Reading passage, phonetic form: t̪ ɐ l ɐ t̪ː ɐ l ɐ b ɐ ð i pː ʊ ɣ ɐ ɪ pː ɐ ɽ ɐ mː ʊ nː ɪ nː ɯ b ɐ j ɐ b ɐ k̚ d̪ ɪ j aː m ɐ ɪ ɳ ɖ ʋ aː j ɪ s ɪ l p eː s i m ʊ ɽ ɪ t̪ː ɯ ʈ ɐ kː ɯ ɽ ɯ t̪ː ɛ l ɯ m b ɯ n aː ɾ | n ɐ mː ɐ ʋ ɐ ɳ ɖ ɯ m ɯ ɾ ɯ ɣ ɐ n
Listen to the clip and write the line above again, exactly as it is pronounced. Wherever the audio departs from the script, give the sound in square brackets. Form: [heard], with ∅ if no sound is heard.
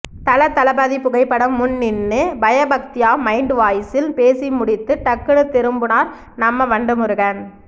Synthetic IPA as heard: t̪ ɐ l ɐ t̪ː ɐ l ɐ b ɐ ð i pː ʊ ɣ ɐ ɪ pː ɐ ɽ ɐ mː ʊ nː ɪ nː ɯ b ɐ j ɐ b ɐ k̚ [t̪] ɪ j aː m ɐ ɪ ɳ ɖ ʋ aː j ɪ s ɪ l p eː s i m ʊ ɽ ɪ t̪ː ɯ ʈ ɐ kː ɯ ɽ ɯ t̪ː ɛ [ɾ] ɯ m b ɯ n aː ɾ | n ɐ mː ɐ ʋ ɐ ɳ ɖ ɯ m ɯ ɾ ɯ ɣ ɐ n